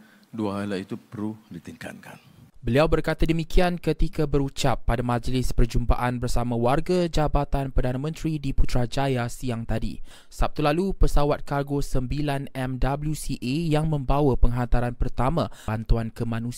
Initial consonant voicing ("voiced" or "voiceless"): voiced